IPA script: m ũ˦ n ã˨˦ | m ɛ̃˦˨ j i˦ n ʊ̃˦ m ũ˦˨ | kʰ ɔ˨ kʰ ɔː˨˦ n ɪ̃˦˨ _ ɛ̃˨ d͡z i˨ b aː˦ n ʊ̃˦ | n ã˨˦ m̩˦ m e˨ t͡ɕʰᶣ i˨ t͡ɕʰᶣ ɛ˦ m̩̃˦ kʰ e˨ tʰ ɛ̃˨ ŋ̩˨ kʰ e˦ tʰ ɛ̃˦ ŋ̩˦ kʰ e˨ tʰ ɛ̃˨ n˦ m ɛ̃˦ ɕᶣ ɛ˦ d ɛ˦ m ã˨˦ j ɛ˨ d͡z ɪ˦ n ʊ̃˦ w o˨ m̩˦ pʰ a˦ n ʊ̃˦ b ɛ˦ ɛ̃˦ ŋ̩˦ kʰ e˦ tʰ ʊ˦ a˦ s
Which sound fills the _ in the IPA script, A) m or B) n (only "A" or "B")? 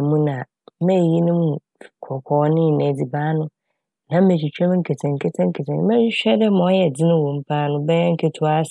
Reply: B